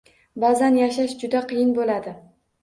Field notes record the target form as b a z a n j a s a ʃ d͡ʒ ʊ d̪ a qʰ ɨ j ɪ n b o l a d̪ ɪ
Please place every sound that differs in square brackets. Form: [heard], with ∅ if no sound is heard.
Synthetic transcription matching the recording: b a z a n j a [ʃ] a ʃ d͡ʒ ʊ d̪ a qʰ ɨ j ɪ n b o l a d̪ ɪ